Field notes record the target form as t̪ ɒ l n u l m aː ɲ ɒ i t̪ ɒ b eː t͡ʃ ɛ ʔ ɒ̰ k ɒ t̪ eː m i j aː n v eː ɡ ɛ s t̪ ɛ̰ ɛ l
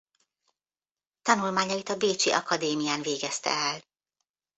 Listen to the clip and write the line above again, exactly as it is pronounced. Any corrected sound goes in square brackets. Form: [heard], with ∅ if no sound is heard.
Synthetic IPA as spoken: t̪ ɒ [∅] n u l m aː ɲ ɒ i t̪ ɒ b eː t͡ʃ [i] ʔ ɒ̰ k ɒ [d̪] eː m i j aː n v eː ɡ ɛ s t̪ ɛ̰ ɛ l

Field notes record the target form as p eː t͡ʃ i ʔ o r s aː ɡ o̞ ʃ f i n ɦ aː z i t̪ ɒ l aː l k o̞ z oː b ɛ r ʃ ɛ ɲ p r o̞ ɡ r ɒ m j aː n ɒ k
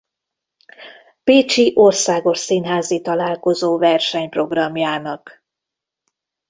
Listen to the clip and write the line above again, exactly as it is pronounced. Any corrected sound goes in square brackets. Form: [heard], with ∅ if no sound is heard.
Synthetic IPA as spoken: p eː t͡ʃ i ʔ o r s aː ɡ o̞ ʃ [s] i n ɦ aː z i t̪ ɒ l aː l k o̞ z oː [v] ɛ r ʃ ɛ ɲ p r o̞ ɡ r ɒ m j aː n ɒ k

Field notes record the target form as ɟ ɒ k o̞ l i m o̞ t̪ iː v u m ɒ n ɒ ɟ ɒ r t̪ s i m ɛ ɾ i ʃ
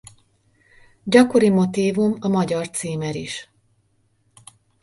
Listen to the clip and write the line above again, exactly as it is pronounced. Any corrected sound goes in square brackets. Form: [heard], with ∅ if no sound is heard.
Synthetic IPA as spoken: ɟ ɒ k o̞ [ɾ] i m o̞ t̪ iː v u m ɒ [m] ɒ ɟ ɒ r t̪ s [iː] m ɛ ɾ i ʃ

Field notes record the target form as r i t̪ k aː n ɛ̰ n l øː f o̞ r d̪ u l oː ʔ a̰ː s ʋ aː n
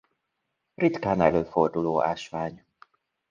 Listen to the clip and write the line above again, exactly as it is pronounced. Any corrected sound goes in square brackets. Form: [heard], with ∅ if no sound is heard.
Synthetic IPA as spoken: r i t̪ k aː n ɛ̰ [∅] l øː f o̞ r d̪ u l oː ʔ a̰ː [ʃ] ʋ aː [ɲ]

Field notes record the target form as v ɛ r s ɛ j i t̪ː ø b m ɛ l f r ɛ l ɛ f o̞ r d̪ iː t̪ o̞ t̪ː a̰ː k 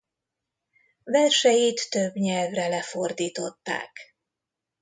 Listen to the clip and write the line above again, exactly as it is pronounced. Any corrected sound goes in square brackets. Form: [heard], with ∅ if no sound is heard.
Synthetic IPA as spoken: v ɛ r [ʃ] ɛ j i t̪ː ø b [ɲ] ɛ l [v] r ɛ l ɛ f o̞ r d̪ iː t̪ o̞ t̪ː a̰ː k

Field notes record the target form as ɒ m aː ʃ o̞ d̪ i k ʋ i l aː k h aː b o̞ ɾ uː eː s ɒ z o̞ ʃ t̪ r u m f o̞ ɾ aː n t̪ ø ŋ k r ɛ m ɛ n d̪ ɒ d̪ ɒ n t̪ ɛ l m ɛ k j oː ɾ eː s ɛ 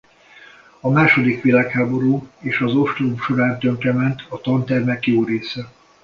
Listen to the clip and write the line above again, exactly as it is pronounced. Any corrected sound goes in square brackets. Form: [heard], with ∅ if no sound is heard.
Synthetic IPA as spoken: ɒ m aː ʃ o̞ d̪ i k ʋ i l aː k h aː b o̞ ɾ uː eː [ʃ] ɒ z o̞ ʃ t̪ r u m [ʃ] o̞ ɾ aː n t̪ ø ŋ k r ɛ m ɛ n [t̪] ɒ [t̪] ɒ n t̪ ɛ [r] m ɛ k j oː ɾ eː s ɛ

